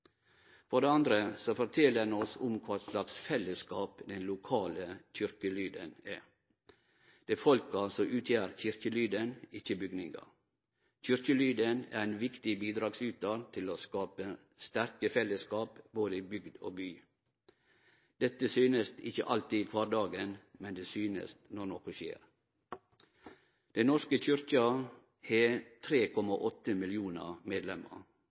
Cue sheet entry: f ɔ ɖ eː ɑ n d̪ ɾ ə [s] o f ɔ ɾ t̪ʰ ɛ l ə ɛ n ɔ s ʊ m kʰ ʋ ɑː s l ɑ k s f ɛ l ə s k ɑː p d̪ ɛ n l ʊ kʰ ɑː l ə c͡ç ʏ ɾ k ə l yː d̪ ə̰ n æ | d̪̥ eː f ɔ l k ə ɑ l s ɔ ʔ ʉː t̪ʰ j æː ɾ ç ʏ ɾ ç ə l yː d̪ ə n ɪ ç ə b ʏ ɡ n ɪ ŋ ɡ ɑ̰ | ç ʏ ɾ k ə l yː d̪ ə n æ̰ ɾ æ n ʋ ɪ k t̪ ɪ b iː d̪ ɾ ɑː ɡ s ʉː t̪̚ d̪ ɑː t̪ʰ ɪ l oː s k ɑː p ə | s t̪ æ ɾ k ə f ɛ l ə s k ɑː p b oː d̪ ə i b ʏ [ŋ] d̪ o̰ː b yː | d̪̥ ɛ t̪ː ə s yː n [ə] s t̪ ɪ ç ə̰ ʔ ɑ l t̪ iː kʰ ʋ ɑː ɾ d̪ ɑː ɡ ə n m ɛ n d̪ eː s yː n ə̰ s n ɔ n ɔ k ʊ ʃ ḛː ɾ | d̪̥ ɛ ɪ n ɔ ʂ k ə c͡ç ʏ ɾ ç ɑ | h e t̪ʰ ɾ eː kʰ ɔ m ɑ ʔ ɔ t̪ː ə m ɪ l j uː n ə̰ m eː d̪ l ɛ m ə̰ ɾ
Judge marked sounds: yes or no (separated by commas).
yes, no, yes